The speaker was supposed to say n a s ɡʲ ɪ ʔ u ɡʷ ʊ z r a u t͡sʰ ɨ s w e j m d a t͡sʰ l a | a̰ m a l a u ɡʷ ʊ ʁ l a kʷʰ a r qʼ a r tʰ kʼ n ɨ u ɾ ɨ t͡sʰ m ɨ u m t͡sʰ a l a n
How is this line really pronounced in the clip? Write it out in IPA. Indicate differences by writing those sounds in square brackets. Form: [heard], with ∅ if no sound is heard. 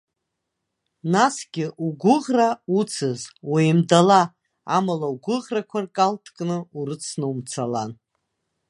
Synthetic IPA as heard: n a s ɡʲ ɪ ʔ u ɡʷ ʊ [ʁ] r a u t͡sʰ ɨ [z] w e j m d a [∅] l a | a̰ m a l a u ɡʷ ʊ ʁ [r] a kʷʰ a r [kʼ] a [l] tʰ kʼ n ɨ u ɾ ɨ t͡sʰ [n] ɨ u m t͡sʰ a l a n